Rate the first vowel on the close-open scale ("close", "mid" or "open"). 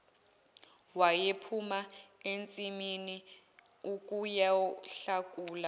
open